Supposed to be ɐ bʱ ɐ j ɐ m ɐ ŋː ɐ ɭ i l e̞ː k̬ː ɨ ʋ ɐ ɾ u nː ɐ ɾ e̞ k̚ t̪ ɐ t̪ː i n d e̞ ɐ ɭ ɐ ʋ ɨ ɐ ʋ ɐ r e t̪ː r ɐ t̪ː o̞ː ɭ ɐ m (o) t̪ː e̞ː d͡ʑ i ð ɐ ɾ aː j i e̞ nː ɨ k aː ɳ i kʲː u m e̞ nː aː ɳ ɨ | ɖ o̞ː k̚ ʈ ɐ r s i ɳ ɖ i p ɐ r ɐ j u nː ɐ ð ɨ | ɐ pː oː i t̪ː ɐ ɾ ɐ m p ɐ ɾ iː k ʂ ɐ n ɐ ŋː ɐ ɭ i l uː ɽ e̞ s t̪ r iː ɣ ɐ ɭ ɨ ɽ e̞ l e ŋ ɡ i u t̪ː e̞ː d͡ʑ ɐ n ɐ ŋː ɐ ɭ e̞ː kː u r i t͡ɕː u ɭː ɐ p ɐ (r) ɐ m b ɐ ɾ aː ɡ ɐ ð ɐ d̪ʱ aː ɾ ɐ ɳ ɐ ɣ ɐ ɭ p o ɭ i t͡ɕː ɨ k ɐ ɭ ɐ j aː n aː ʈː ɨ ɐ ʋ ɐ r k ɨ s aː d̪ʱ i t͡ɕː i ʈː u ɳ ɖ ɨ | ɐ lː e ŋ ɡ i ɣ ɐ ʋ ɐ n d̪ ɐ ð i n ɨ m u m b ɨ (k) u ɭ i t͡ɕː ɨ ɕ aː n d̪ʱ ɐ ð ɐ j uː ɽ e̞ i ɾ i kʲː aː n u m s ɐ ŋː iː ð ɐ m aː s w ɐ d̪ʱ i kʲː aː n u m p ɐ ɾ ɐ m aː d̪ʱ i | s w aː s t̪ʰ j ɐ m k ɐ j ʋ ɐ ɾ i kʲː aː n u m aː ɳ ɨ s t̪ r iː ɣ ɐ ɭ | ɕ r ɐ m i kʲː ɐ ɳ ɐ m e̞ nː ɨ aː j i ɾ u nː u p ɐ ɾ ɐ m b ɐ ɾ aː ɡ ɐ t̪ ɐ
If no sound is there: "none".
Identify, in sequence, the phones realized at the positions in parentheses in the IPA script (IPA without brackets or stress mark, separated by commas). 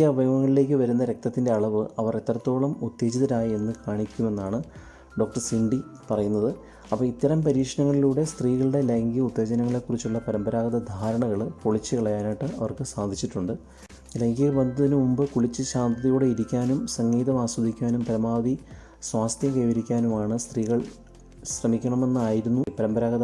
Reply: u, ɾ, k